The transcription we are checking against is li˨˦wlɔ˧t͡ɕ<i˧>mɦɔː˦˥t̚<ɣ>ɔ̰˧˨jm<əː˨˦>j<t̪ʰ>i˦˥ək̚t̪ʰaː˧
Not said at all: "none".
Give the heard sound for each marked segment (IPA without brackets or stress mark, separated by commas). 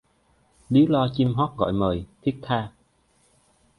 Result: i˧, ɣ, əː˨˩, t̪ʰ